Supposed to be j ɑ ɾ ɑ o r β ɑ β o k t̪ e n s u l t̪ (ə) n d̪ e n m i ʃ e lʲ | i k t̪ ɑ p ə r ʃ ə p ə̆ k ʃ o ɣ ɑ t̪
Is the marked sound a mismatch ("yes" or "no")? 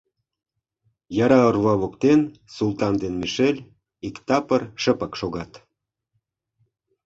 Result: yes